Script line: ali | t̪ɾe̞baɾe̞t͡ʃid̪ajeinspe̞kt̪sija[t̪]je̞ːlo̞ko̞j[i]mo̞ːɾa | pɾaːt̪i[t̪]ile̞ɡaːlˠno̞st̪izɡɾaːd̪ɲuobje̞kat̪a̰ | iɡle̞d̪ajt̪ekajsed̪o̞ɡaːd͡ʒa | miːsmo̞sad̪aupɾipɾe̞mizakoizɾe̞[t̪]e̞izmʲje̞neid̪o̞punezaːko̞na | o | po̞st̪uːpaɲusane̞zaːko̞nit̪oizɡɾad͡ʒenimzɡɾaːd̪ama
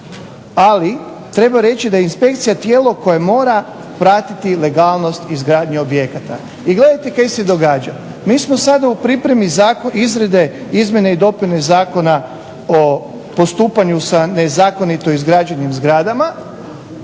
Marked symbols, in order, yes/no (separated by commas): yes, no, yes, no